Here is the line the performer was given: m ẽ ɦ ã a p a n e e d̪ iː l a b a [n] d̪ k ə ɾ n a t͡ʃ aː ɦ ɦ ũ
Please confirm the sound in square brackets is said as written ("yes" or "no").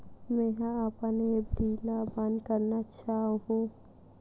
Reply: yes